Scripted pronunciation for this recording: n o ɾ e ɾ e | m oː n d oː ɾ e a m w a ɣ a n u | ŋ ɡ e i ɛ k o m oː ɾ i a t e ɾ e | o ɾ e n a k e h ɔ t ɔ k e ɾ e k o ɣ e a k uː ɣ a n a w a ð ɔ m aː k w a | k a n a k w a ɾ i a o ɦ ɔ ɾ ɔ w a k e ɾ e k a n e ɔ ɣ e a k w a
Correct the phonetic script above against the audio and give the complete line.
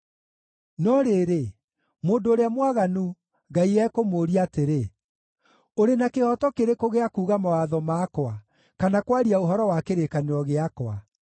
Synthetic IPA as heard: n ɔ ɾ e ɾ e | m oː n d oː ɾ e a m w a ɣ a n u | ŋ ɡ a i ɛ k o m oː ɾ i a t e ɾ e | o ɾ e n a k e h ɔ t ɔ k e ɾ e k o ɣ e a k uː ɣ a m a w a ð ɔ m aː k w a | k a n a k w a ɾ i a o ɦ ɔ ɾ ɔ w a k e ɾ e k a n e ɔ ɣ e a k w a

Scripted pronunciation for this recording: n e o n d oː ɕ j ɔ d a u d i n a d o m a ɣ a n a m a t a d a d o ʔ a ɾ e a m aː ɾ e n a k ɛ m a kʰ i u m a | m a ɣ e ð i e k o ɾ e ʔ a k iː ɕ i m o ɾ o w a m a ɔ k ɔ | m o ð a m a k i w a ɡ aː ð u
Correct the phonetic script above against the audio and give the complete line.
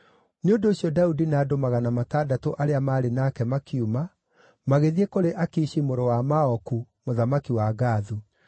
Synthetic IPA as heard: n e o n d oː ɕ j ɔ d a u d i n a d o m a ɣ a n a m a t a d a t o ʔ a ɾ e a m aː ɾ e n a k ɛ m a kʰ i u m a | m a ɣ e ð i e k o ɾ e ʔ a k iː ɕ i m o ɾ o w a m a ɔ k u | m o ð a m a k i w a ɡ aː ð u

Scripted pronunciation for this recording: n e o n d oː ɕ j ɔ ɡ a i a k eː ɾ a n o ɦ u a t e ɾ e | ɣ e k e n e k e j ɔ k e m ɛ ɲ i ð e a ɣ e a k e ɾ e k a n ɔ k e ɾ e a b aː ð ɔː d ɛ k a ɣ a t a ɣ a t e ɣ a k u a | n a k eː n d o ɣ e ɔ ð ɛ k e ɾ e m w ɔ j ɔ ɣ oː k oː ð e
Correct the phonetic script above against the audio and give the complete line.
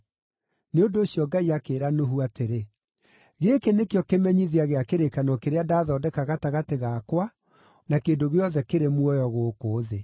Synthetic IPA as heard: n e o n d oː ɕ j ɔ ɡ a i a k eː ɾ a n o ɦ u a t e ɾ e | ɣ e k e n e k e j ɔ k e m ɛ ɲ i ð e a ɣ e a k e ɾ e k a n ɔ k e ɾ e a d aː ð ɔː d ɛ k a ɣ a t a ɣ a t e ɣ a k w a | n a k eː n d o ɣ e ɔ ð ɛ k e ɾ e m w ɔ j ɔ ɣ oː k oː ð e

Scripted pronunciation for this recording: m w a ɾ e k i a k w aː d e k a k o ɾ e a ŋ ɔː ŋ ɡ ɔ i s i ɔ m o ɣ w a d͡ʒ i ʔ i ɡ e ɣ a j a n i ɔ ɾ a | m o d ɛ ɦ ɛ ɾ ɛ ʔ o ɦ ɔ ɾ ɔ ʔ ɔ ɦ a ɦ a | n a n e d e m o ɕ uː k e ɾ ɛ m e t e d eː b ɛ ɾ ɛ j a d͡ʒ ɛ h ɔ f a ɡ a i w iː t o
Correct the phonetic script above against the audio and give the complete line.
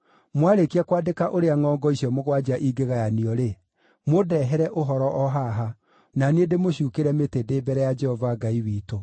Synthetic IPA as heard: m w a ɾ e k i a k w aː d e k a ʔ o ɾ e a ŋ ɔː ŋ ɡ ɔ i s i ɔ m o ɣ w a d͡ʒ a ʔ i ɡ e ɣ a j a n i ɔ ɾ e | m o d ɛ ɦ ɛ ɾ ɛ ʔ o ɦ ɔ ɾ ɔ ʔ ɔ ɦ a ɦ a | n a n e d e m o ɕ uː k e ɾ ɛ m e t e d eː b ɛ ɾ ɛ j a d͡ʒ ɛ h ɔ v a ɡ a i w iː t o

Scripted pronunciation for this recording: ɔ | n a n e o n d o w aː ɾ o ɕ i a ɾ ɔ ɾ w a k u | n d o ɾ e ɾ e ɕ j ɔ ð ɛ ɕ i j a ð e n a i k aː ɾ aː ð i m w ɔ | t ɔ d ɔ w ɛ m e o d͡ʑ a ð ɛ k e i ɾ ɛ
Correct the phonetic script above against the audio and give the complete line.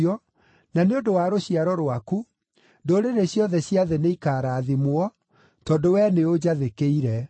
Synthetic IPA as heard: ɔ | n a n e o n d o w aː ɾ o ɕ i a ɾ ɔ ɾ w a k u | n d o ɾ e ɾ e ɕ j ɔ ð ɛ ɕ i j a ð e n e i k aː ɾ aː ð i m w ɔ | t ɔ d o w ɛ n e o d͡ʑ a ð e k e i ɾ ɛ

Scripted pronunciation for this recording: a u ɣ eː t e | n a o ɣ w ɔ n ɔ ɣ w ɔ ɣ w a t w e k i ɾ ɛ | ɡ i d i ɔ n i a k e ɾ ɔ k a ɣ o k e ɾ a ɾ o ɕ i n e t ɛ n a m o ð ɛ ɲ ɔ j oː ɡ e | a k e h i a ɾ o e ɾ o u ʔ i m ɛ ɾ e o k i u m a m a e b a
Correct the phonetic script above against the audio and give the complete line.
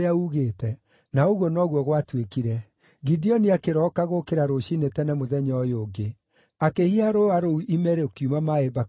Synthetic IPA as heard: a u ɣ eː t ɛ | n a o ɣ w ɔ n ɔ ɣ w ɔ ɣ w a t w e k i ɾ ɛ | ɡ i d i ɔ n i a k e ɾ ɔ k a ɣ o k e ɾ a ɾ o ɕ i n e t ɛ n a m o ð ɛ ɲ ɔ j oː ɡ e | a k e h i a ɾ o a ɾ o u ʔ i m ɛ ɾ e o k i u m a m a e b a

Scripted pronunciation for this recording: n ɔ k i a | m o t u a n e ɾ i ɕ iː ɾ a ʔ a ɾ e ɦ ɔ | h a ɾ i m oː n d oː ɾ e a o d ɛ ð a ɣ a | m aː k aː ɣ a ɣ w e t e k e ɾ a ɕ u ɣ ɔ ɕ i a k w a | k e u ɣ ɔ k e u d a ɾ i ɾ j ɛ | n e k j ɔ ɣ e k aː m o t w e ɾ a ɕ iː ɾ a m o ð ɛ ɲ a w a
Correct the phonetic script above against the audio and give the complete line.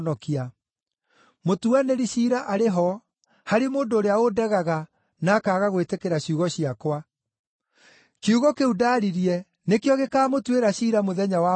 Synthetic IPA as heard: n ɔ k i a | m o t u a n e ɾ i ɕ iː ɾ a ʔ a ɾ e ɦ ɔ | h a ɾ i m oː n d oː ɾ e a o d ɛ ɣ a ɣ a | n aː k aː ɣ a ɣ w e t e k e ɾ a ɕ u ɣ ɔ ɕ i a k w a | k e u ɣ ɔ k e u d a ɾ i ɾ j ɛ | n e k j ɔ ɣ e k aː m o t w e ɾ a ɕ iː ɾ a m o ð ɛ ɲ a w a

